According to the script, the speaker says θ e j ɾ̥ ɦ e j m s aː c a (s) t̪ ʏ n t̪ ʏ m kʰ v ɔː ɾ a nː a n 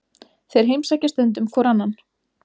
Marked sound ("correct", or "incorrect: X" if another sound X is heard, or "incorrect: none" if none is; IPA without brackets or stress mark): correct